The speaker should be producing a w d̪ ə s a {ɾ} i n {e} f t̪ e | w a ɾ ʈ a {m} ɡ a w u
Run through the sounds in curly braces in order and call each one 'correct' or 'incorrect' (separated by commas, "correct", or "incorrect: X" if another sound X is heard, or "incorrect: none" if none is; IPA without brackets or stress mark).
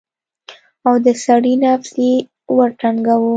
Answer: incorrect: ɽ, incorrect: a, incorrect: ŋ